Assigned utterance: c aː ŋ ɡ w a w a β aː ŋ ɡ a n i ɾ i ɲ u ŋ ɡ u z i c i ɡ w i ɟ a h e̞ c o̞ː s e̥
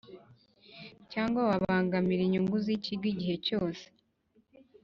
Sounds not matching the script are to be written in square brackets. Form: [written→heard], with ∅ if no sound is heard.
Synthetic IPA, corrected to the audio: c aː ŋ ɡ w a w a β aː ŋ ɡ a [n→m] i ɾ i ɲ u ŋ ɡ u z i c i ɡ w i ɟ [a→i] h e̞ c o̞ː s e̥